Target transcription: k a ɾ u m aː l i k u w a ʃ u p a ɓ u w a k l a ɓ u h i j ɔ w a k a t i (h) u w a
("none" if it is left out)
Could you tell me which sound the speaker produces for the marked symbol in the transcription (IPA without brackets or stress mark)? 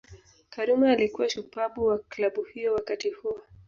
h